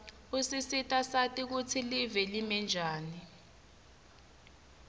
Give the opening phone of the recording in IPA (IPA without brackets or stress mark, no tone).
u